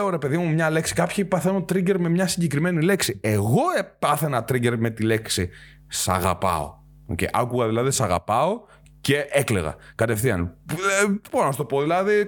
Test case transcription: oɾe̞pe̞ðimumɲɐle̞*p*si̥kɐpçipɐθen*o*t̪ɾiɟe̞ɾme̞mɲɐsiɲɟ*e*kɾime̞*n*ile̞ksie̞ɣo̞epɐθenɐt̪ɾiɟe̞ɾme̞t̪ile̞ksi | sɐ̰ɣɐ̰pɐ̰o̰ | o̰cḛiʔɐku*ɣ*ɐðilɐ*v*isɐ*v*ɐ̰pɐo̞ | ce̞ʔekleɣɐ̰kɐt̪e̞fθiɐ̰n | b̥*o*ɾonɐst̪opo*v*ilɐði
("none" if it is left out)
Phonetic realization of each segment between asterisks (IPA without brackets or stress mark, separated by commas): k, o, e, n, ɣ, ð, ɣ, o, ð